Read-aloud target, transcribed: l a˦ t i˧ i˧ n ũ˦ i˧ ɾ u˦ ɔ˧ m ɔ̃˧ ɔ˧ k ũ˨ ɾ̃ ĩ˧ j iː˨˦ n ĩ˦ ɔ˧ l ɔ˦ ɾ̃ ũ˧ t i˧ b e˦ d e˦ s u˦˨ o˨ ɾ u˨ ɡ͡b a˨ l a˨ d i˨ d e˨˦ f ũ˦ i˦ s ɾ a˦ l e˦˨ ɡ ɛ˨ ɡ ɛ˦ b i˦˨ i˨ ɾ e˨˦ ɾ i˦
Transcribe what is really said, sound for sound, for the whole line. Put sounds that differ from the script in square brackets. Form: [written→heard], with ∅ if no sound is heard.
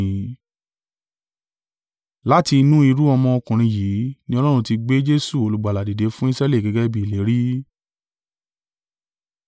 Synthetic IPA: l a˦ t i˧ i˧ n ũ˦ i˧ ɾ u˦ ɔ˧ m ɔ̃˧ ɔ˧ k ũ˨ ɾ̃ ĩ˧ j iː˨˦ n ĩ˦ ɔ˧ l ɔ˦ ɾ̃ ũ˧ t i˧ [b→ɡ͡b] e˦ [d→d͡ʒ] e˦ s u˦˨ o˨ [ɾ→l] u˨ ɡ͡b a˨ l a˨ d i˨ d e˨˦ f ũ˦ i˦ s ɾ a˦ l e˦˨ ɡ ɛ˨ ɡ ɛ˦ b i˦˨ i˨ [ɾ→l] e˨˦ ɾ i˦